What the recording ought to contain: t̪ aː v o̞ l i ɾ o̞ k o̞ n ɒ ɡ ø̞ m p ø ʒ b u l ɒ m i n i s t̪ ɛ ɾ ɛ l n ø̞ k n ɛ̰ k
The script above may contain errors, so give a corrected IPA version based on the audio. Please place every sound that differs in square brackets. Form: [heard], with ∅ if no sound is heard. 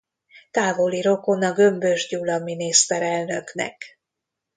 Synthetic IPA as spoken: t̪ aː v o̞ l i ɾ o̞ k o̞ n ɒ ɡ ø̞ m [b] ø ʒ [ɟ] u l ɒ m i n i s t̪ ɛ ɾ ɛ l n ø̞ k n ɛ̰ k

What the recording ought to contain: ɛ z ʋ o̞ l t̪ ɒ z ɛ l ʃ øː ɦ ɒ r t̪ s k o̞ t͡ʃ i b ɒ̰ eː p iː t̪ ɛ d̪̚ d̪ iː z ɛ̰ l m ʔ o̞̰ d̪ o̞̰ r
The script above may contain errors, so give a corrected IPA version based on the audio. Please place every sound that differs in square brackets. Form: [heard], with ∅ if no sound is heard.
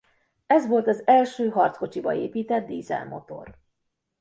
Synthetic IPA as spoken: ɛ z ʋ o̞ l t̪ ɒ z ɛ l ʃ øː ɦ ɒ r t̪ s k o̞ t͡ʃ i b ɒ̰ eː p iː t̪ ɛ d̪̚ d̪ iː z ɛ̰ l m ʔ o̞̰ [t̪] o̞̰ r

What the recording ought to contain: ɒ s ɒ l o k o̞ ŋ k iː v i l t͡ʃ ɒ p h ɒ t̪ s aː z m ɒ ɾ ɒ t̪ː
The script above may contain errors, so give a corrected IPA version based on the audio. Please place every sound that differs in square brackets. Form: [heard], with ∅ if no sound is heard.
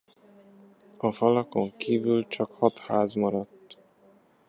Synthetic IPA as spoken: ɒ [f] ɒ l [ɒ] k o̞ ŋ k iː v [y] l t͡ʃ ɒ [k] h ɒ t̪ [h] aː z m ɒ ɾ ɒ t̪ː

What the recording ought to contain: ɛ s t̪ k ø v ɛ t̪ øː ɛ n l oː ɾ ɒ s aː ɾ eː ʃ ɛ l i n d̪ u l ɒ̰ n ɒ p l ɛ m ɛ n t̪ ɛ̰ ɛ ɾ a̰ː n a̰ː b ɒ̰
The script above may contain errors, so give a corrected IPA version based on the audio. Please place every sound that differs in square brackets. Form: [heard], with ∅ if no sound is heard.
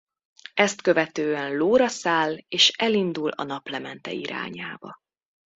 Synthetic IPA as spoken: ɛ s t̪ k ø v ɛ t̪ øː ɛ n l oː ɾ ɒ s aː [l] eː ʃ ɛ l i n d̪ u l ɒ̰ n ɒ p l ɛ m ɛ n t̪ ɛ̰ [i] ɾ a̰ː [ɲ] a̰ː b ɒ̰

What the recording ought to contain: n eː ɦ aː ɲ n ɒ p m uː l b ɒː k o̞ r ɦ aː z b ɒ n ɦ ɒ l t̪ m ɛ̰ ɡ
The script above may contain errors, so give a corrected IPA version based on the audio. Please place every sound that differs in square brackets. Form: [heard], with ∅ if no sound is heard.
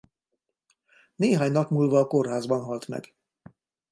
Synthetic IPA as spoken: n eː ɦ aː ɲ n ɒ p m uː l [v] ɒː k o̞ r ɦ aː z b ɒ n ɦ ɒ l t̪ m ɛ̰ ɡ

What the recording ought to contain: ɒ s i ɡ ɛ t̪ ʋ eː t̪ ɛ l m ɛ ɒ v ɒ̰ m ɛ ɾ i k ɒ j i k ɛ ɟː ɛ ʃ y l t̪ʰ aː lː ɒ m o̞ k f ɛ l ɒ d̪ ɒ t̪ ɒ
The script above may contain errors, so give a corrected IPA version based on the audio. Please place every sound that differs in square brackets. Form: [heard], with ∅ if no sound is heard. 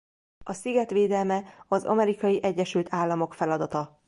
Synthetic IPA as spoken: ɒ s i ɡ ɛ t̪ ʋ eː [d̪] ɛ l m ɛ ɒ [z] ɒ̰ m ɛ ɾ i k ɒ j i [ʔ] ɛ ɟː ɛ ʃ y l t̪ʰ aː lː ɒ m o̞ k f ɛ l ɒ d̪ ɒ t̪ ɒ

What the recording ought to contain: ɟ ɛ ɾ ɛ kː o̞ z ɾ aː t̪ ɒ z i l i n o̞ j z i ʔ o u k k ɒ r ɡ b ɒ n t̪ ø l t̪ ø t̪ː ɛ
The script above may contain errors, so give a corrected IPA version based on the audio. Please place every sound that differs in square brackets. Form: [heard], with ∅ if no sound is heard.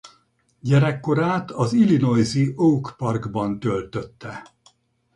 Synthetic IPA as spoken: ɟ ɛ ɾ ɛ kː o̞ [∅] ɾ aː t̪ ɒ z i l i n o̞ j z i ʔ o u k [p] ɒ r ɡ b ɒ n t̪ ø l t̪ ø t̪ː ɛ

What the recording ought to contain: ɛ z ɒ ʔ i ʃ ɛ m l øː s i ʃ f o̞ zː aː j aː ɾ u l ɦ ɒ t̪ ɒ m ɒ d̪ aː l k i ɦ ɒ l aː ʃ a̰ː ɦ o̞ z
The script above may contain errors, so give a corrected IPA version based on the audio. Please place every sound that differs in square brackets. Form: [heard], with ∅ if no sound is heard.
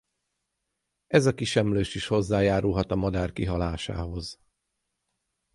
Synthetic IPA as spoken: ɛ z ɒ [k] i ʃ ɛ m l øː [ʃ] i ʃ [h] o̞ zː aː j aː ɾ u l ɦ ɒ t̪ ɒ m ɒ d̪ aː [r] k i ɦ ɒ l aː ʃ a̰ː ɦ o̞ z

